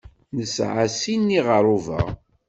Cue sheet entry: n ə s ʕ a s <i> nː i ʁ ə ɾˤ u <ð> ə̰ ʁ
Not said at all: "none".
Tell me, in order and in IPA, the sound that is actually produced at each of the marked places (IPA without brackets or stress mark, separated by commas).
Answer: i, v